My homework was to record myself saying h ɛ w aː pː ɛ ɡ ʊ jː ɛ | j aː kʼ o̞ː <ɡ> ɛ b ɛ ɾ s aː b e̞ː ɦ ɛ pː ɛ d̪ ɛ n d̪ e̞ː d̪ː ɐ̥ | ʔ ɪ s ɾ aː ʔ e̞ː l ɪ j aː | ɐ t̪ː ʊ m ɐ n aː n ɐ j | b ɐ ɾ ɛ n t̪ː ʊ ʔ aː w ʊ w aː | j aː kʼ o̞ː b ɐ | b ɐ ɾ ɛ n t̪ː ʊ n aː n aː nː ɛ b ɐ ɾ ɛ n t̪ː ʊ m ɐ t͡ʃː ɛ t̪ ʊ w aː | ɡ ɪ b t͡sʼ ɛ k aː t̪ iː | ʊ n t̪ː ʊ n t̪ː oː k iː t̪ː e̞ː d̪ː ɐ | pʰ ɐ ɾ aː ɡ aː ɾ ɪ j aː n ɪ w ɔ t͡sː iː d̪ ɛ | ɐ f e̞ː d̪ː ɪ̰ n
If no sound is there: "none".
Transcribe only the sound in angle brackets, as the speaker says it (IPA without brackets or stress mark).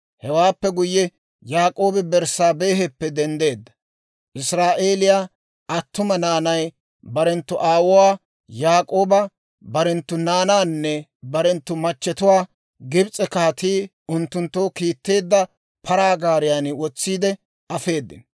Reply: b